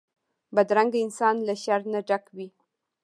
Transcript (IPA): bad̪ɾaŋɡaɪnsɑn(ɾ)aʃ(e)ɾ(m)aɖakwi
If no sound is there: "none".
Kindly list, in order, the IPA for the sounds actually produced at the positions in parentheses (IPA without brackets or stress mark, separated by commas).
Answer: l, a, n